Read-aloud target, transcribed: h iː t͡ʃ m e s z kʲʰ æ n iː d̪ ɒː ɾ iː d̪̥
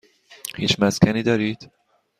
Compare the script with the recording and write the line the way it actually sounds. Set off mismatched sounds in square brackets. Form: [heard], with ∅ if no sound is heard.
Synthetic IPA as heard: h iː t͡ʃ m [æ] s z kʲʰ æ n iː d̪ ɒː ɾ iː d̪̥